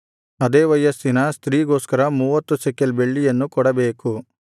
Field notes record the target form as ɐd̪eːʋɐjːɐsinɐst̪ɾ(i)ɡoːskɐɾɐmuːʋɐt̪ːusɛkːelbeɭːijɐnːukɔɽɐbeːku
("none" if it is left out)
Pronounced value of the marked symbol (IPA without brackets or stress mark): iː